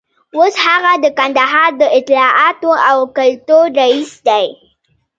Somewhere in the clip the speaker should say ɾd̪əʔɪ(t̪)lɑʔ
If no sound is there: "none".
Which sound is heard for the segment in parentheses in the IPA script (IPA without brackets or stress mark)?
t̪